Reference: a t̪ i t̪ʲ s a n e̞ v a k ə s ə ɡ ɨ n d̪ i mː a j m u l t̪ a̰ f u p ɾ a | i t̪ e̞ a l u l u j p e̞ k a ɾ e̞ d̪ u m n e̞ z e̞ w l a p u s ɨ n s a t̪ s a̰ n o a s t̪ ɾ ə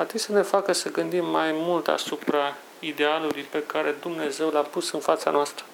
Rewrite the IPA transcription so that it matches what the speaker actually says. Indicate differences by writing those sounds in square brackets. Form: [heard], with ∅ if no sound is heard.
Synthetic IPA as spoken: a t̪ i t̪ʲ s [ə] n e̞ [f] a k ə s ə ɡ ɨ n d̪ i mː a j m u l t̪ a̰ [s] u p ɾ a | i [d̪] e̞ a l u l u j p e̞ k a ɾ e̞ d̪ u m n e̞ z e̞ w l a p u s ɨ n [f] a t̪ s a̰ n o a s t̪ ɾ ə